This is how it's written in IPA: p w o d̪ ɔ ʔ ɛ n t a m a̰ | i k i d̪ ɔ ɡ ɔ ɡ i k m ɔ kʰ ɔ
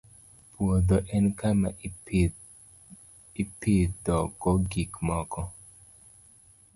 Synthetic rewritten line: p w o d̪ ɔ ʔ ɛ n k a m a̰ | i p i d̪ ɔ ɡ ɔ ɡ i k m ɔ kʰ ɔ